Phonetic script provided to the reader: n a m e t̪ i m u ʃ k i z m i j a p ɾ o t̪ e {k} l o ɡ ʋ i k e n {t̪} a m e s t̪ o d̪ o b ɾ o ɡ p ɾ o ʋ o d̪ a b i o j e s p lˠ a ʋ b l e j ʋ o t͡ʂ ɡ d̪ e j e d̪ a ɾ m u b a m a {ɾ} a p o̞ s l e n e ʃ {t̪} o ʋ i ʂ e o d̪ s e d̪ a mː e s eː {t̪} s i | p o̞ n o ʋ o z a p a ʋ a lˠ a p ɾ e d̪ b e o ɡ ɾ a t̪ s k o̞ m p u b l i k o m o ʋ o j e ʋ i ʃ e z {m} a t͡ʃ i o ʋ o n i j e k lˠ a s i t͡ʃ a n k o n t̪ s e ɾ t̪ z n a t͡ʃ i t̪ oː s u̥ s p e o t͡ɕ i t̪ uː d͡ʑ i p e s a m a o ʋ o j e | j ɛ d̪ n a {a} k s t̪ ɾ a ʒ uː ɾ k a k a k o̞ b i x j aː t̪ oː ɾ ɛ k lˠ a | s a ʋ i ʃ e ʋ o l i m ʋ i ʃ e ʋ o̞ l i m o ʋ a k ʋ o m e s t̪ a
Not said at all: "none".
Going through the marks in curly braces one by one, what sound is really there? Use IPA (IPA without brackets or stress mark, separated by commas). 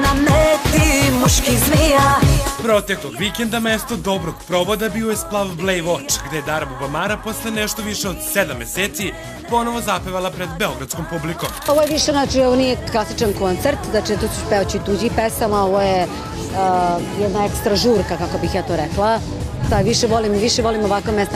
k, d̪, ɾ, t̪, t̪, n, e